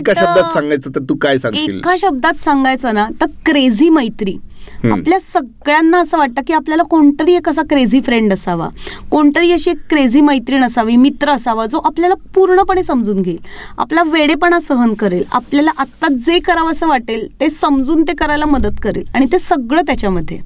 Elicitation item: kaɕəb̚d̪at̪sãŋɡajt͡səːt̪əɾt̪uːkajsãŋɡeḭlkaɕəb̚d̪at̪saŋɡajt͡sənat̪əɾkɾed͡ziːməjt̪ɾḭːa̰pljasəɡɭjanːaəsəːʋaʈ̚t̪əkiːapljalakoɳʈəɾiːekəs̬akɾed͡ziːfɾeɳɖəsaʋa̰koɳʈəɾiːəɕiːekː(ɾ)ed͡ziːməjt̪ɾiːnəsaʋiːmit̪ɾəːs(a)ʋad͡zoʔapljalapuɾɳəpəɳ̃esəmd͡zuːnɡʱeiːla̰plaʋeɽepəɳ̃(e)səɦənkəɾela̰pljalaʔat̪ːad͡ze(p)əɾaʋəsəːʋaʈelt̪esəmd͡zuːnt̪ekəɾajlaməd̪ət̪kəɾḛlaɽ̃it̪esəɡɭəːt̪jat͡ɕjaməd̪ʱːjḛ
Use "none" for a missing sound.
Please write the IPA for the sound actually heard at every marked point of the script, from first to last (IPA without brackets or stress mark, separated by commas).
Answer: ɾ, a, a, k